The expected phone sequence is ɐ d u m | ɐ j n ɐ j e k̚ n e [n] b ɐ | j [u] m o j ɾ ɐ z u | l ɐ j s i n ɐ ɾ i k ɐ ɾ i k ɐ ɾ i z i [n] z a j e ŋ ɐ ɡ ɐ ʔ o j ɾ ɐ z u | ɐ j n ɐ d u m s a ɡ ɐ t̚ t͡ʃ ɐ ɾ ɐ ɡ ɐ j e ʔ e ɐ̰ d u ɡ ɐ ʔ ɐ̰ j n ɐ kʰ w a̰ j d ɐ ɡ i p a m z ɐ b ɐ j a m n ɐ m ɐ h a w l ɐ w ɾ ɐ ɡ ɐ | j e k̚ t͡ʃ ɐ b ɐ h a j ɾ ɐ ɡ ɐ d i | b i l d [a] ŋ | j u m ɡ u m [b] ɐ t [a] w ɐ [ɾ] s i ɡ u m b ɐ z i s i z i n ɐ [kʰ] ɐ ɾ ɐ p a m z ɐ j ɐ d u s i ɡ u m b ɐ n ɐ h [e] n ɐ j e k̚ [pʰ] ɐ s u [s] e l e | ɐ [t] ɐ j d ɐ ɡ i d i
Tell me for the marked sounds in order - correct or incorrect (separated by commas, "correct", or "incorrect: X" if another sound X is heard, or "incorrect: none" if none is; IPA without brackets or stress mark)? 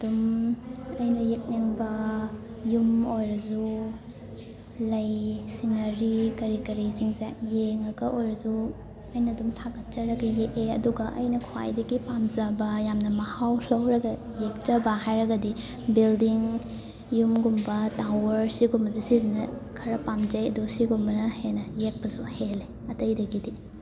incorrect: ŋ, correct, incorrect: ŋ, incorrect: i, correct, correct, correct, correct, correct, incorrect: p, incorrect: h, correct